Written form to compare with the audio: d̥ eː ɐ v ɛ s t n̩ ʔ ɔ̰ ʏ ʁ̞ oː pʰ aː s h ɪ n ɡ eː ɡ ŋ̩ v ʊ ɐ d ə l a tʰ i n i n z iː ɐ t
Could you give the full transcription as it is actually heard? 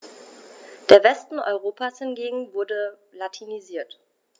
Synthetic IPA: d̥ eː ɐ v ɛ s t n̩ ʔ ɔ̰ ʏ ʁ̞ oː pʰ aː s h ɪ n ɡ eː ɡ ŋ̩ v ʊ ɐ d ə l a tʰ i n i z iː ɐ t